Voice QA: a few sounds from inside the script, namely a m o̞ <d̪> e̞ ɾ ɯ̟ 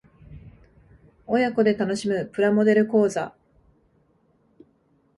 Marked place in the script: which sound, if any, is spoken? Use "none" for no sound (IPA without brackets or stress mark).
d̪